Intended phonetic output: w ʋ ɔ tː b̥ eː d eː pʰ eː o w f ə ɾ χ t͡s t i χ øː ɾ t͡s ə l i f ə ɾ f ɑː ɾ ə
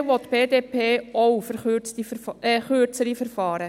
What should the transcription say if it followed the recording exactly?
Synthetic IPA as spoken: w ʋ ɔ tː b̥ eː d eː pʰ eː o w f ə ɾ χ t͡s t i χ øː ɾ t͡s ə ɾ i f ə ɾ f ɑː ɾ ə